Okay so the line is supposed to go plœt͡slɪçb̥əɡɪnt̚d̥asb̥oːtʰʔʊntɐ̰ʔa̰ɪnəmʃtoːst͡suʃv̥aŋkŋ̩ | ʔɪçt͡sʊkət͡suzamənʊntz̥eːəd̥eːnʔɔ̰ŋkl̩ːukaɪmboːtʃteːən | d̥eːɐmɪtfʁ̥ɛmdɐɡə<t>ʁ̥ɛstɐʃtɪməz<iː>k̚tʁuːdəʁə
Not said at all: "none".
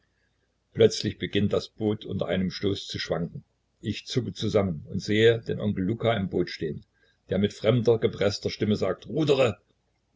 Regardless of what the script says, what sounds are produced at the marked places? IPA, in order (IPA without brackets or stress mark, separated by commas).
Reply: p, aː